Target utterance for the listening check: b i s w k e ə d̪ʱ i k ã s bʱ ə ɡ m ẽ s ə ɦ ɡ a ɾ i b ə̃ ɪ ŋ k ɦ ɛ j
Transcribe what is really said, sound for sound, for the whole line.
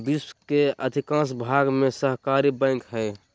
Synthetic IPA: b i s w k e ə d̪ʱ i k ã s bʱ a ɡ m e s ə ɦ k a ɾ i b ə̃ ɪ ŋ k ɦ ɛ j